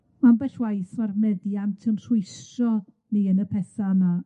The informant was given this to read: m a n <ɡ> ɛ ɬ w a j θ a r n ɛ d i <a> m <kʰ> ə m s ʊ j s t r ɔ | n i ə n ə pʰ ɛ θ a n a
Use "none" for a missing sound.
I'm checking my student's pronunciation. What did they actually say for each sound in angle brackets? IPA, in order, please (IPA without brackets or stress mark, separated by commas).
b, a, tʰ